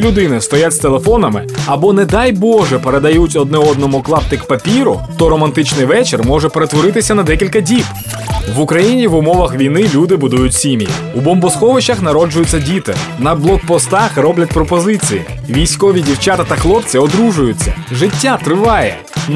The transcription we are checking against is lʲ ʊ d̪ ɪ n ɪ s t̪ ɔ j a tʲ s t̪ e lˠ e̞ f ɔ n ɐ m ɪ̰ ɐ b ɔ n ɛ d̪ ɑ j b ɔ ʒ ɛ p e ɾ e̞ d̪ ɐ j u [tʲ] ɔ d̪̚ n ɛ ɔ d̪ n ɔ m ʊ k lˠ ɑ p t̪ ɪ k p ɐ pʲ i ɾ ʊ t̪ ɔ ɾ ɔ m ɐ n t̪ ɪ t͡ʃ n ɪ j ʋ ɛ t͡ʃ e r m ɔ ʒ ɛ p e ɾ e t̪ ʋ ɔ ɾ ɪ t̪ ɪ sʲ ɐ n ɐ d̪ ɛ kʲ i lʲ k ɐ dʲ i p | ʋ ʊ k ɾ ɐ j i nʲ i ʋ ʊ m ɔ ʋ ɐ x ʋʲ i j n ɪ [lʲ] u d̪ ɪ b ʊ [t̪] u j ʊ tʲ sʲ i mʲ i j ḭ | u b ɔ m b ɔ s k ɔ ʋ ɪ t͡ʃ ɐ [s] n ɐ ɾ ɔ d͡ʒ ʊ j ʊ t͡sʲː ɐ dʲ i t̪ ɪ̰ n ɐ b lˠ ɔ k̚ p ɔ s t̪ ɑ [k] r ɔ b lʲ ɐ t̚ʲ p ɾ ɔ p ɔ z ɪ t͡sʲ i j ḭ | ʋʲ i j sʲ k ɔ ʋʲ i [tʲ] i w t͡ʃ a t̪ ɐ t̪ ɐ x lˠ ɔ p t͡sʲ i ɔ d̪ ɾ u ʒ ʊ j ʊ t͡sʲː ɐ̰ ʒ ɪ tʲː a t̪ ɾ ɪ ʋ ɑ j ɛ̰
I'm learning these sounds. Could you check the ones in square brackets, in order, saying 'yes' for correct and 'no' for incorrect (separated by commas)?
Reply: yes, yes, no, no, no, no